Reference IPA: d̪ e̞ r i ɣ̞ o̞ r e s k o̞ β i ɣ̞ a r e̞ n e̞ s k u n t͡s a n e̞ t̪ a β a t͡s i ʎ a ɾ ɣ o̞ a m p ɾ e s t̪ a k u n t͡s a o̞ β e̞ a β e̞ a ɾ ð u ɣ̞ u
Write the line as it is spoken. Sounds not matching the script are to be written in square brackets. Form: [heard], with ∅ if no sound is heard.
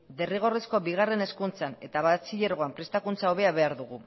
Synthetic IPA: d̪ e̞ r i ɣ̞ o̞ r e s k o̞ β i ɣ̞ a r e̞ n e̞ s k u n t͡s a n e̞ t̪ a β a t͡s i ʎ [e] ɾ ɣ o̞ a m p ɾ e s t̪ a k u n t͡s a o̞ β e̞ a β e̞ a ɾ ð u ɣ̞ u